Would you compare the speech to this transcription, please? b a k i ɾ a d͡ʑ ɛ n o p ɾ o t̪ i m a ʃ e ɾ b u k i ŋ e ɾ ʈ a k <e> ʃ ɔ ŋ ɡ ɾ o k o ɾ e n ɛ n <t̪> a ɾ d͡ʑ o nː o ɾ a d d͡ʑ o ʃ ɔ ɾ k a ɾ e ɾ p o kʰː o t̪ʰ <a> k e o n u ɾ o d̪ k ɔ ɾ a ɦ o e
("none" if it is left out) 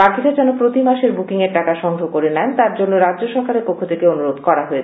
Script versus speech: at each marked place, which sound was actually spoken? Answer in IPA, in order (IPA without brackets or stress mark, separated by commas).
a, t̪, e